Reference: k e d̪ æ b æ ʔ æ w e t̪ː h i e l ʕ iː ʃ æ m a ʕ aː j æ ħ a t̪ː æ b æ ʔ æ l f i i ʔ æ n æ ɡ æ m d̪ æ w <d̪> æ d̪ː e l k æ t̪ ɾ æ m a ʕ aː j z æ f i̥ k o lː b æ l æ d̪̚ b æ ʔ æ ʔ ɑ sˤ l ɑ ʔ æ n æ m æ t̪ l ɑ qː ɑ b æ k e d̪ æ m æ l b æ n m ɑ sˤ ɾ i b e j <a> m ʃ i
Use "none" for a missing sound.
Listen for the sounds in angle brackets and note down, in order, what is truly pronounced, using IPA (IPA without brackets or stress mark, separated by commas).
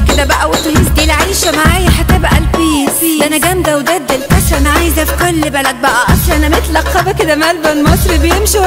d̪, e